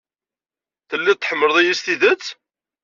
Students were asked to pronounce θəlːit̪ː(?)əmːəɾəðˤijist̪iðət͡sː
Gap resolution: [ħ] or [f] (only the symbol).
ħ